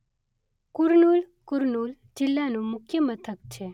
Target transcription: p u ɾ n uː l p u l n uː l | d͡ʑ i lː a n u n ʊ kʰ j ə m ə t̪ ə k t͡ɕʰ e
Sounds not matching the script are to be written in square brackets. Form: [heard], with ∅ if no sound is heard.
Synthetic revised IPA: [k] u ɾ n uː l [k] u [ɾ] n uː l | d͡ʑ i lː a n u [m] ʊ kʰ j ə m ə [t̪ʰ] ə k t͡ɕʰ e